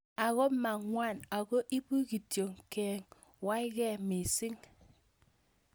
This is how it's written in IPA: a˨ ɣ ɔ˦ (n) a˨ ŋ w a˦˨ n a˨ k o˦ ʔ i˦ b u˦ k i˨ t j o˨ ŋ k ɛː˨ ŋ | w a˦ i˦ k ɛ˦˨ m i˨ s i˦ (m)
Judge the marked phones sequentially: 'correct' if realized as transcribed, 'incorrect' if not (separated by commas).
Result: incorrect, incorrect